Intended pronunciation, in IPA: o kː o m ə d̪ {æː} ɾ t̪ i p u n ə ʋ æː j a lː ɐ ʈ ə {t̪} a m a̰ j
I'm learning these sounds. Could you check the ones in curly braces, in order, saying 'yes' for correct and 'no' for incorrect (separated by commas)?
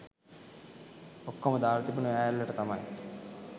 no, yes